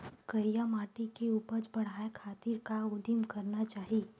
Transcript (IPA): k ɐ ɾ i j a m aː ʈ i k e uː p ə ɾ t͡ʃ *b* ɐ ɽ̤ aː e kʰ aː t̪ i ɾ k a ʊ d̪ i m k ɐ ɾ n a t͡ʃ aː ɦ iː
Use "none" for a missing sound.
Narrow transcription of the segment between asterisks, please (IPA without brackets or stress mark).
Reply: b